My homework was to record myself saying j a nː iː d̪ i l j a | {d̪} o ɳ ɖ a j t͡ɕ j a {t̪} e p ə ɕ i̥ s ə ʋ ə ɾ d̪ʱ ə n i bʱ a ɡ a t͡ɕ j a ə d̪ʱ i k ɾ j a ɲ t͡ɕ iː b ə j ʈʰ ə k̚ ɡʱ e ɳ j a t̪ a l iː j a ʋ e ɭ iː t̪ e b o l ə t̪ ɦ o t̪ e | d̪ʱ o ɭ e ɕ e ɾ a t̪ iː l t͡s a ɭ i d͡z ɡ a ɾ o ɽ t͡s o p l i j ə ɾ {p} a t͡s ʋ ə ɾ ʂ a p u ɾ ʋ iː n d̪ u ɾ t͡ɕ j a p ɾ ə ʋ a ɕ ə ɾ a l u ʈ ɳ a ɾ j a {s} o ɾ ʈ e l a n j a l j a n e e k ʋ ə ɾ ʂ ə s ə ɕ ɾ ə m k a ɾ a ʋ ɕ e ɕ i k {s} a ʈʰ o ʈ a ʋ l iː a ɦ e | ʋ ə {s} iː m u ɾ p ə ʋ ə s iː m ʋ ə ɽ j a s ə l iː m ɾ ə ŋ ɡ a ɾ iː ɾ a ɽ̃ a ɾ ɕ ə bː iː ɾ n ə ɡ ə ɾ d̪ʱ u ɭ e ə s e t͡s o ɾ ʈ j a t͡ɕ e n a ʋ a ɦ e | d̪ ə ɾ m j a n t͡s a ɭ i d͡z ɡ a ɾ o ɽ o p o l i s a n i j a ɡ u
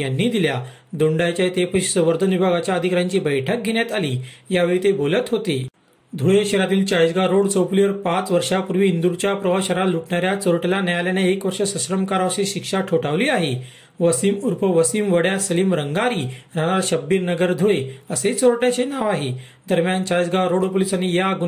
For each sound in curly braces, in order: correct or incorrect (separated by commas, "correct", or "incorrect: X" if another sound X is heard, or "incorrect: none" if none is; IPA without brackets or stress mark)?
correct, correct, correct, incorrect: t͡s, incorrect: ʂ, correct